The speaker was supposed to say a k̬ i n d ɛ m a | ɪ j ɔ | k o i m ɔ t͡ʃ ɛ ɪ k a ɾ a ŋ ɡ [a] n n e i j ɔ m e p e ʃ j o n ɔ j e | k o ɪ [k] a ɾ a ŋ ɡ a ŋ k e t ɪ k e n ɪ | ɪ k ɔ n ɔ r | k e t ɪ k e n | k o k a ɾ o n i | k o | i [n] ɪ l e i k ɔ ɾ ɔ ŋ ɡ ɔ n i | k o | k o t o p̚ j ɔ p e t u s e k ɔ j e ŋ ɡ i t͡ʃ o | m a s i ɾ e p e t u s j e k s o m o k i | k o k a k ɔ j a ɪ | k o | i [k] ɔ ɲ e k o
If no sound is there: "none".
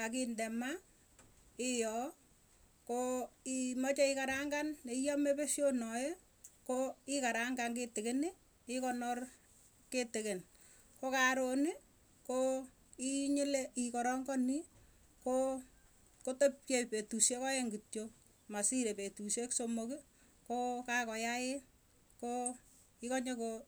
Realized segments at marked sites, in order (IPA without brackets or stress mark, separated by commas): a, k, ɲ, k